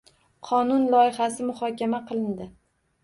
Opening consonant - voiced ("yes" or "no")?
no